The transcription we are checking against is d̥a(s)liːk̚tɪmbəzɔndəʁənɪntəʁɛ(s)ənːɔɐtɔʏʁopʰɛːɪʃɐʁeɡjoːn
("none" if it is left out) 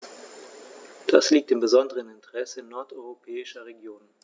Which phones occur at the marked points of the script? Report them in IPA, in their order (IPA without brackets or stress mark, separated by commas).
s, s